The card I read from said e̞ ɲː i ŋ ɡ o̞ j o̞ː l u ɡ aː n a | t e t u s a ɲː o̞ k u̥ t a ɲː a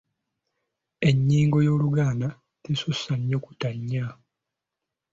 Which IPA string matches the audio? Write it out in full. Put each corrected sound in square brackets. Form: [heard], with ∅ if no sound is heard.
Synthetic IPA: e̞ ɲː [iː] ŋ ɡ o̞ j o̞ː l u ɡ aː n a | t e [s] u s a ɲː o̞ k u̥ t a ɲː a